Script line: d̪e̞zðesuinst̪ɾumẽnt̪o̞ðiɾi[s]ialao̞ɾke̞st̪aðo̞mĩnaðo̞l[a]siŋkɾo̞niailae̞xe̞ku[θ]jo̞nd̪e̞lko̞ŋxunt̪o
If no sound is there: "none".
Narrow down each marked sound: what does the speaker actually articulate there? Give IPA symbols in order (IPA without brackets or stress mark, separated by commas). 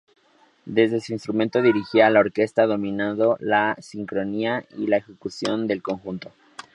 x, a, s